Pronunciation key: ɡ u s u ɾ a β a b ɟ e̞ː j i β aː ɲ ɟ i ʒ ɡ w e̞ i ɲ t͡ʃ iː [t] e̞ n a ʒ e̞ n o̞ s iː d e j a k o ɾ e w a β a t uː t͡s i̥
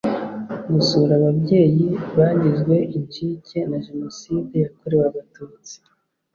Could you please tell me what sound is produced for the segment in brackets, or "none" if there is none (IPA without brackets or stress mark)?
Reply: c